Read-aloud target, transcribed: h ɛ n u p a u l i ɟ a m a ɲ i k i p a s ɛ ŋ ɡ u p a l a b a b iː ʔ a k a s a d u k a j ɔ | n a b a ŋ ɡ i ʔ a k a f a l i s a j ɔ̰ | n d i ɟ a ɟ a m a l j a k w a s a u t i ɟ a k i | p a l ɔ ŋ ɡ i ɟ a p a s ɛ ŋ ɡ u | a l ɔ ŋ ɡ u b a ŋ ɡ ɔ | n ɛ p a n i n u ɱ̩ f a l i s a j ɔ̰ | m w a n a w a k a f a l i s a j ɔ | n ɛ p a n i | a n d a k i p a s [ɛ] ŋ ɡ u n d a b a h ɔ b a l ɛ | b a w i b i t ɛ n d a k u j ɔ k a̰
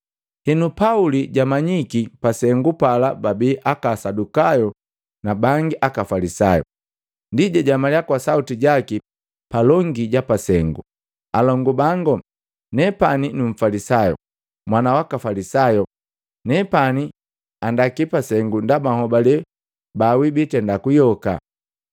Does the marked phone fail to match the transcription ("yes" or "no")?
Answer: no